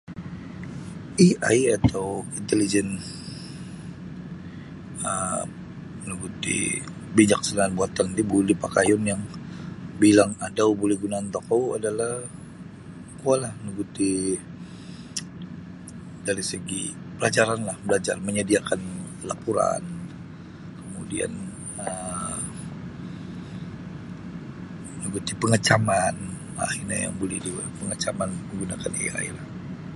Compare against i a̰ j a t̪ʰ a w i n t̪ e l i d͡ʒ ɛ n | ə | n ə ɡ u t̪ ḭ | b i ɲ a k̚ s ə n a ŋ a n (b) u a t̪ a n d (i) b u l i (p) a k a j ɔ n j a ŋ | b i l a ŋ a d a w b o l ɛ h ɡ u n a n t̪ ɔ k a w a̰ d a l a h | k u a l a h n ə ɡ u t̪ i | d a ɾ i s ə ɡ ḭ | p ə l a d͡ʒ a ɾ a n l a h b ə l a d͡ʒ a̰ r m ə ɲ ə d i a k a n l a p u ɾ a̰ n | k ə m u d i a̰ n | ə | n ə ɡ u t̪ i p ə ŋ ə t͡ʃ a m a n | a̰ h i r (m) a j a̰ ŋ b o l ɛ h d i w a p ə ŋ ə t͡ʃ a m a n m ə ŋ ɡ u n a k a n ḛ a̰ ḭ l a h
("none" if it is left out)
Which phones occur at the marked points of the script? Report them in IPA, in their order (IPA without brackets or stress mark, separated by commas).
b, i, p, ɲ